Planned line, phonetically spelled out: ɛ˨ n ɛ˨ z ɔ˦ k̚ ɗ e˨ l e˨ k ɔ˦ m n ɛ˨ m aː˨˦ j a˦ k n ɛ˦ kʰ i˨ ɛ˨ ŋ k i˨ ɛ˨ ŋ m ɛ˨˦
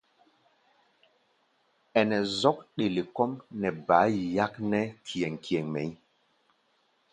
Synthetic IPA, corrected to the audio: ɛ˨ n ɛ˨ z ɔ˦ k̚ ɗ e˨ l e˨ k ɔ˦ m n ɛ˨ b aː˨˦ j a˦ k n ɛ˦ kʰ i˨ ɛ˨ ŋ k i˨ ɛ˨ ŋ m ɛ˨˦